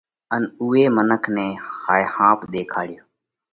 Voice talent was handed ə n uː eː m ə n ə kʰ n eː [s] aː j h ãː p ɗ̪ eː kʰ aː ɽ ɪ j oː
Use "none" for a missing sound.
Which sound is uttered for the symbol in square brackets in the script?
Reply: h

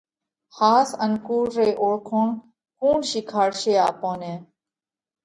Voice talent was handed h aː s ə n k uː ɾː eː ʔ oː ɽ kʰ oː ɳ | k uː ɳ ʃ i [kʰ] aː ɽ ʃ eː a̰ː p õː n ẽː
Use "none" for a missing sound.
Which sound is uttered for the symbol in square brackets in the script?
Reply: kʰ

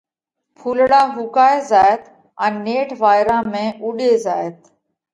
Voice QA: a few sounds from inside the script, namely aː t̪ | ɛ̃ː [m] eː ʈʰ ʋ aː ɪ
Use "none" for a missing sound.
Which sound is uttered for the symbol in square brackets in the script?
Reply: n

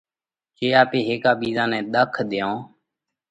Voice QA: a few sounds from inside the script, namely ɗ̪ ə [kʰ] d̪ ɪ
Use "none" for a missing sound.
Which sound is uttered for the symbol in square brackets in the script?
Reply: kʰ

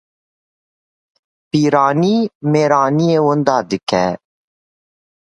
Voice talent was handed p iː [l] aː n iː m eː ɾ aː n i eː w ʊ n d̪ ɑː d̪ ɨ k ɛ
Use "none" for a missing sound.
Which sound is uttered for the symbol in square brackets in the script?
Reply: ɾ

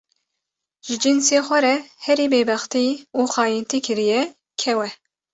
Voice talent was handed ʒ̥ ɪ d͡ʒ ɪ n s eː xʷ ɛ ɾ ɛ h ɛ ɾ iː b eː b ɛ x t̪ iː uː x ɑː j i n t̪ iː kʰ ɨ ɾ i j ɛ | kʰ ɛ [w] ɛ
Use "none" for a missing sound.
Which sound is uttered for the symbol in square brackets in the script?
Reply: w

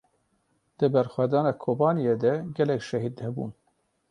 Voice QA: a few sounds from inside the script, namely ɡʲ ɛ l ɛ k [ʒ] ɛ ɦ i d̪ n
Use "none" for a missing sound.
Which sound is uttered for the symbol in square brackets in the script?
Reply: ʃ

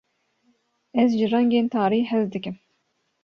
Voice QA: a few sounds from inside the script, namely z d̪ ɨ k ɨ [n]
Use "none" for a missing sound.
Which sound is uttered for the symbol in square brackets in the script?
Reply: m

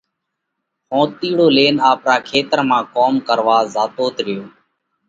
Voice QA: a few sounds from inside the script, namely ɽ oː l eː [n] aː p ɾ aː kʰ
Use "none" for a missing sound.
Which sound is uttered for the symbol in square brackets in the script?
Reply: n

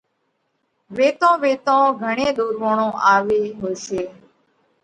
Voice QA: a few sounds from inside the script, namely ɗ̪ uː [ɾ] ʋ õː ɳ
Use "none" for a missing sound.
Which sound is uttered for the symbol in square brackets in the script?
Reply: ɾ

